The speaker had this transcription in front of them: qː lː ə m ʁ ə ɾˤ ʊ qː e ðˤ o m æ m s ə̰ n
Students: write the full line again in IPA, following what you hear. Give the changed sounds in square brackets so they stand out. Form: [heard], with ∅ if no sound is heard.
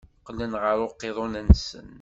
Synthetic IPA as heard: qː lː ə [n] ʁ ə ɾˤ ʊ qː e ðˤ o [n] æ [n] s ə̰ n